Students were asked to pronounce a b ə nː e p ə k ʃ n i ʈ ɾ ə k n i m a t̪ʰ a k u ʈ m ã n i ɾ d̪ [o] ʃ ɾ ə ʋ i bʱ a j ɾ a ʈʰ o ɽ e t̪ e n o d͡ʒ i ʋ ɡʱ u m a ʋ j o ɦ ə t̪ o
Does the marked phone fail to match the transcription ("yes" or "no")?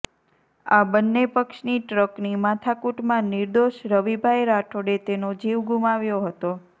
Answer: no